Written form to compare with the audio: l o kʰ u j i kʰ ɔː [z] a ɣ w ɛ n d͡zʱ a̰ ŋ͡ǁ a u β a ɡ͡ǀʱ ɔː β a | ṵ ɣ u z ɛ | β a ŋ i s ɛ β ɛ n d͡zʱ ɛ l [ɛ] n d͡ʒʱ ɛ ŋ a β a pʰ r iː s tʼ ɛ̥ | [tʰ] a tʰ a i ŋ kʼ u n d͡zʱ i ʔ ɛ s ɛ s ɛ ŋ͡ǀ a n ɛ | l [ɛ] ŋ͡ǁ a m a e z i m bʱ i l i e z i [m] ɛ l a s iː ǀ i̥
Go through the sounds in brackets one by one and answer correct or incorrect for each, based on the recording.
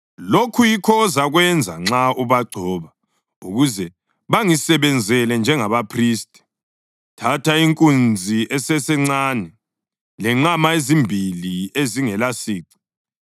correct, correct, correct, correct, incorrect: ŋ

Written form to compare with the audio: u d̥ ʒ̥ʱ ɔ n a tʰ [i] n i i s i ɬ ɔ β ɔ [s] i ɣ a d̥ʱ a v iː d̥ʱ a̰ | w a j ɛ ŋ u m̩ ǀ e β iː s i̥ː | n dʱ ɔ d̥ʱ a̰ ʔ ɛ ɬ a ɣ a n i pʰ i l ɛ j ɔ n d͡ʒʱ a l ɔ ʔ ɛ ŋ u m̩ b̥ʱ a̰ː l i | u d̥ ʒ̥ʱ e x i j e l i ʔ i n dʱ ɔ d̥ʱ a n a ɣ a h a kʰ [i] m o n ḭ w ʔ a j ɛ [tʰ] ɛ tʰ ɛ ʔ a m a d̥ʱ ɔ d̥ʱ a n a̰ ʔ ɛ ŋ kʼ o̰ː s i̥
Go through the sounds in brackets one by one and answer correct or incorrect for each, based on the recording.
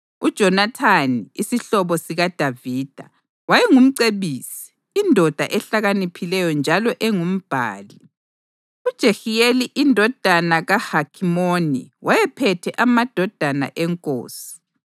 incorrect: a, correct, correct, incorrect: pʰ

